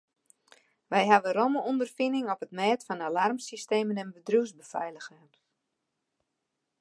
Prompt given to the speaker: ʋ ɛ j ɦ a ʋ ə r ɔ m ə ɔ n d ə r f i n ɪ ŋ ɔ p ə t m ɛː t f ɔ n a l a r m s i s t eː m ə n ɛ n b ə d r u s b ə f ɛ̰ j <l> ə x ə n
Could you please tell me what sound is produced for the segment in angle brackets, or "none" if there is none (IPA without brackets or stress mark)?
l